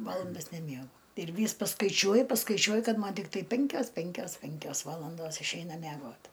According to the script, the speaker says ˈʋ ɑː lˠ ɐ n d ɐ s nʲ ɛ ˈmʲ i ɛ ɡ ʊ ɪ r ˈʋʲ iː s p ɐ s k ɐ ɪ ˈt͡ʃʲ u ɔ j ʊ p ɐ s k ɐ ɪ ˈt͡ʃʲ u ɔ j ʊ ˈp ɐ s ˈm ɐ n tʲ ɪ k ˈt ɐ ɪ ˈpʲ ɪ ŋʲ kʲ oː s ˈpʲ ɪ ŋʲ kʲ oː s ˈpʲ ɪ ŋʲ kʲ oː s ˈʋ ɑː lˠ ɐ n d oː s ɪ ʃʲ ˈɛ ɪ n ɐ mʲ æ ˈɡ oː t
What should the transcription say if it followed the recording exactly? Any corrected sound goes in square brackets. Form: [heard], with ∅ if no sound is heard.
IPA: ˈʋ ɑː lˠ ɐ n d ɐ s nʲ ɛ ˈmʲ i ɛ ɡ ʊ ɪ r ˈʋʲ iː s p ɐ s k ɐ ɪ ˈt͡ʃʲ u ɔ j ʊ p ɐ s k ɐ ɪ ˈt͡ʃʲ u ɔ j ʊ [ˈk] ɐ [t] ˈm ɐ n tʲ ɪ k ˈt ɐ ɪ ˈpʲ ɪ ŋʲ kʲ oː s ˈpʲ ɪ ŋʲ kʲ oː s ˈpʲ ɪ ŋʲ kʲ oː s ˈʋ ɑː lˠ ɐ n d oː s ɪ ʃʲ ˈɛ ɪ n ɐ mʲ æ ˈɡ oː t